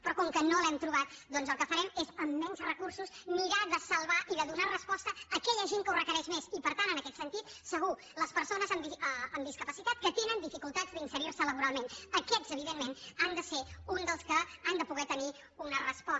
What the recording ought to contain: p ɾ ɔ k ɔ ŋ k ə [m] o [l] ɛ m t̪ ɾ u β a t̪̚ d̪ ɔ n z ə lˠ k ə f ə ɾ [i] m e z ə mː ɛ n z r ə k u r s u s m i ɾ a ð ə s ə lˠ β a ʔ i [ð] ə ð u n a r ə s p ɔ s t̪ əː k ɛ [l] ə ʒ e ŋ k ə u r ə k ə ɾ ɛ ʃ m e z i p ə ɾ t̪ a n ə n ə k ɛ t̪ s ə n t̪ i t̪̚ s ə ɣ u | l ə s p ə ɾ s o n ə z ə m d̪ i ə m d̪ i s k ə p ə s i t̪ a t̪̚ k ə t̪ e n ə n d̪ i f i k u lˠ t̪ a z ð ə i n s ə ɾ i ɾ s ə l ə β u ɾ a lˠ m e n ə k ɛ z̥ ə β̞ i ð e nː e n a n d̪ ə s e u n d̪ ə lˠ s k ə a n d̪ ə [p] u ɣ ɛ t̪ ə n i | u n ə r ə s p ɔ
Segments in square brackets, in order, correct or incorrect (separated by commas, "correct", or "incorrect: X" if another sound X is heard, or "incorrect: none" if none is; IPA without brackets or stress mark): incorrect: n, correct, incorrect: ɛ, correct, incorrect: ʎ, correct